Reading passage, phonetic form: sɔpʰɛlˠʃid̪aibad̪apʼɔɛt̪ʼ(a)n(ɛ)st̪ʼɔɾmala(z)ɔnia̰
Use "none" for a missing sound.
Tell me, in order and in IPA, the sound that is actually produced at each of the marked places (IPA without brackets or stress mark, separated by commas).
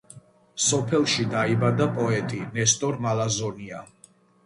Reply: i, ɛ, z